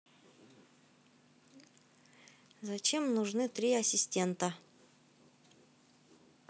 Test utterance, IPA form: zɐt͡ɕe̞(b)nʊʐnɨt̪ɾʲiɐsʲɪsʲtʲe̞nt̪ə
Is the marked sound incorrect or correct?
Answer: incorrect: m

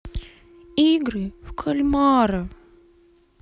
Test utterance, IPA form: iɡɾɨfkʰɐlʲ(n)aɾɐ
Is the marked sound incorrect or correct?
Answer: incorrect: m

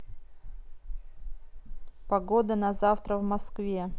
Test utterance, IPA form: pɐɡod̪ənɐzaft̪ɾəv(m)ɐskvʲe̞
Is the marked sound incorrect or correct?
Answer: correct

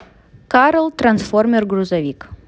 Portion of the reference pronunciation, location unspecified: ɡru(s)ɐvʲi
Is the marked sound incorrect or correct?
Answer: incorrect: z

